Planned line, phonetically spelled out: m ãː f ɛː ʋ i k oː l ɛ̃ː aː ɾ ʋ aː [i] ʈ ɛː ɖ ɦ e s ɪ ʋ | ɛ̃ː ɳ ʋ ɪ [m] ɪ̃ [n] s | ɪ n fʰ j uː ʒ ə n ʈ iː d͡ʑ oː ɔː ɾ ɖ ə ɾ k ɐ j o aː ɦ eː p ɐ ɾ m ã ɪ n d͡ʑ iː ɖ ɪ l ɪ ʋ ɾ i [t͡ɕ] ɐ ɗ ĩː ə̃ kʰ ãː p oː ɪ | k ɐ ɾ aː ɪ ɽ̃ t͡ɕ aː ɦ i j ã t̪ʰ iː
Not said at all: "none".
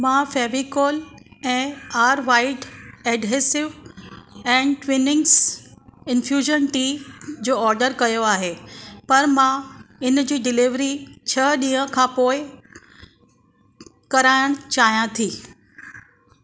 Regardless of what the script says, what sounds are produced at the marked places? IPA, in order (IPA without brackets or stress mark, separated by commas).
ɪ, n, ŋ, t͡ɕʰ